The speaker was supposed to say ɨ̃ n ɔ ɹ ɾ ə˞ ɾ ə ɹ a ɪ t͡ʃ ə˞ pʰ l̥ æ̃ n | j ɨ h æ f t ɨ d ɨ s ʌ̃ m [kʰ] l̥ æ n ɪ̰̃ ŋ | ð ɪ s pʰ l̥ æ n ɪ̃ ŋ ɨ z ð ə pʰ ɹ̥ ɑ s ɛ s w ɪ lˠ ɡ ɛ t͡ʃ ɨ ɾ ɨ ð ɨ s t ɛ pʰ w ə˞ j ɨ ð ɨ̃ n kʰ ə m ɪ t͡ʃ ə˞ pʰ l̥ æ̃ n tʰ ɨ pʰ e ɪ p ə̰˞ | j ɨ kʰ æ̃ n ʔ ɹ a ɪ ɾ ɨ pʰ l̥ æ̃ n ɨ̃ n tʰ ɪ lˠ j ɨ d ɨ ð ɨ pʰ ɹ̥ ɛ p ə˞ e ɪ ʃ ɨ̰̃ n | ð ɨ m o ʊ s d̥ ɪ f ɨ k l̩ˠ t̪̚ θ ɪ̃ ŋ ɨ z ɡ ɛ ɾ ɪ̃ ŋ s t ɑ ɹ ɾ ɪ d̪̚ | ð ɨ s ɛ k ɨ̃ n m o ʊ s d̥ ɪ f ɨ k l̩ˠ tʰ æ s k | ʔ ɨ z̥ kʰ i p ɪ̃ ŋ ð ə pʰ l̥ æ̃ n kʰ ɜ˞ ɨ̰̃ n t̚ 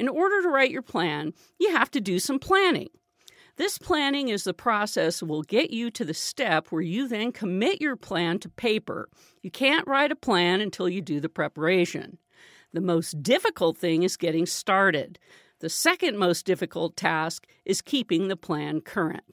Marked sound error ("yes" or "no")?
yes